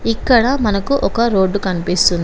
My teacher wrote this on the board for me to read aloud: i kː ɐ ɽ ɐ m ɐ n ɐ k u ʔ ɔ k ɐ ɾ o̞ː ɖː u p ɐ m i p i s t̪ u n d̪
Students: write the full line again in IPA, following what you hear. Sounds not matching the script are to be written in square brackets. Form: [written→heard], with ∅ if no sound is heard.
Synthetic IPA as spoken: i kː ɐ ɽ ɐ m ɐ n ɐ k u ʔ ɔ k ɐ ɾ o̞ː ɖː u [p→k] ɐ [m→n] i p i s t̪ u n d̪